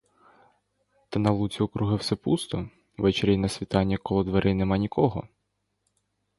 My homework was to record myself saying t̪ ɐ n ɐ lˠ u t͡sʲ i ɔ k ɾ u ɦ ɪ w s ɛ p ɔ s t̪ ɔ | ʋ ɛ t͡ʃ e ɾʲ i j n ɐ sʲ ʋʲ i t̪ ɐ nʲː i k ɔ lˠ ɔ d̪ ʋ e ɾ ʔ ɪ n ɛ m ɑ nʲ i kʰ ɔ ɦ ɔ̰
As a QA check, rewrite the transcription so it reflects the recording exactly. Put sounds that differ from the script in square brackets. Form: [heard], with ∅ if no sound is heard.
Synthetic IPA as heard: t̪ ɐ n ɐ lˠ u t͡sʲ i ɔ k ɾ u ɦ ɪ w s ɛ p [u] s t̪ ɔ | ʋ ɛ t͡ʃ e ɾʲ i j n ɐ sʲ ʋʲ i t̪ [ɑ] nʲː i k ɔ lˠ ɔ d̪ ʋ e ɾ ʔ ɪ n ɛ m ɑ nʲ i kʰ ɔ ɦ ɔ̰

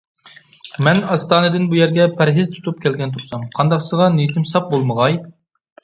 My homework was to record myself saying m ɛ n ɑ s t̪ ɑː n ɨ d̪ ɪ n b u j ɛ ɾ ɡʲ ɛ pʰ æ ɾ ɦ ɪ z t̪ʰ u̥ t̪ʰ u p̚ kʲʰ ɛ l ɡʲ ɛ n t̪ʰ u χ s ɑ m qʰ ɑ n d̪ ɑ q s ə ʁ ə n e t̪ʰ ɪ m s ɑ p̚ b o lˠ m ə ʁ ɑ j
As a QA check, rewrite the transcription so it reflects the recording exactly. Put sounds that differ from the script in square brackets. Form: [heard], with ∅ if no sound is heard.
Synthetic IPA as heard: m ɛ n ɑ s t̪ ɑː n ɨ d̪ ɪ n b u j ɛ ɾ ɡʲ ɛ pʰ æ ɾ ɦ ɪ z t̪ʰ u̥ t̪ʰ u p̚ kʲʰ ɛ l ɡʲ ɛ n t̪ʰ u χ s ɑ m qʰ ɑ n d̪ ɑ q s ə ʁ [ɑ] n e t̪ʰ ɪ m s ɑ p̚ b o lˠ m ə ʁ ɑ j

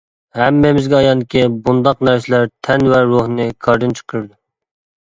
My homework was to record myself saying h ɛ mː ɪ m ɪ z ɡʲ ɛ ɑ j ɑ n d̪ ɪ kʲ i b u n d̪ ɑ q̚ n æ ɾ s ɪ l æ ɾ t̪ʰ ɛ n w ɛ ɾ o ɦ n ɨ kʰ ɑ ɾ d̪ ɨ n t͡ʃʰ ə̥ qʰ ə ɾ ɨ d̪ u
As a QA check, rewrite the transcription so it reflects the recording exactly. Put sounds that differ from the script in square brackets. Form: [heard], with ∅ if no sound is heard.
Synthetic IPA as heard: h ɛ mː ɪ m ɪ z ɡʲ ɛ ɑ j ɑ n d̪ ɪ kʲ i b u n d̪ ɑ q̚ n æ ɾ s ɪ l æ ɾ t̪ʰ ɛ n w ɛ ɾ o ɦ n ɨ kʰ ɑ ɾ d̪ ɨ n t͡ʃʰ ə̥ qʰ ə ɾ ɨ d̪ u

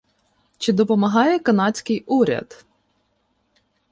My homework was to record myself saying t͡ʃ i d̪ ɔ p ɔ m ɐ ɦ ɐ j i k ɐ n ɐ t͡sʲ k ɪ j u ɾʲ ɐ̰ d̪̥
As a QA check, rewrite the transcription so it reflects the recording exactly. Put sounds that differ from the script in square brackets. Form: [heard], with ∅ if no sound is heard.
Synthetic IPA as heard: t͡ʃ [ɪ] d̪ ɔ p ɔ m ɐ ɦ [ɑ] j [ɛ] k ɐ n [ɑ] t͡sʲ k ɪ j u ɾʲ ɐ̰ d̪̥

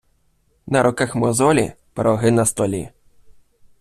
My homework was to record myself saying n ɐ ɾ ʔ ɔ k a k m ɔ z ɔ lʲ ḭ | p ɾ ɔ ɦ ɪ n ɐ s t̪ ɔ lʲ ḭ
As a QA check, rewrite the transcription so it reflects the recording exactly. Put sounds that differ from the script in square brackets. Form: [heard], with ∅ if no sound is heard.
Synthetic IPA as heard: n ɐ ɾ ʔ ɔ k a [x] m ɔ z ɔ lʲ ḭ | p ɾ ɔ ɦ ɪ n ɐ s t̪ ɔ lʲ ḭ

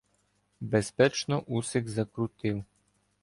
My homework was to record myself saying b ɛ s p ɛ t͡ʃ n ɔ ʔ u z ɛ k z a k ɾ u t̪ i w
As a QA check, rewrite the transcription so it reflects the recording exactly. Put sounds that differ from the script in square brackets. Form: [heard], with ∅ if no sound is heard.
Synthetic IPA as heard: b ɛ s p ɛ t͡ʃ n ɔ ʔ u [s] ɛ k z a k ɾ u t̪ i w

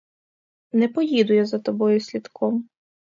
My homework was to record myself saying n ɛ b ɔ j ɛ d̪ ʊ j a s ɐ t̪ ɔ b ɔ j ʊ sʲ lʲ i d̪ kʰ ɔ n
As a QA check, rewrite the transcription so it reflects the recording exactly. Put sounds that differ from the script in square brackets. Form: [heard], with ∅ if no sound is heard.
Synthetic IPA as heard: n ɛ [p] ɔ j [i] d̪ ʊ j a [z] ɐ t̪ ɔ b ɔ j ʊ sʲ lʲ i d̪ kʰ ɔ [m]

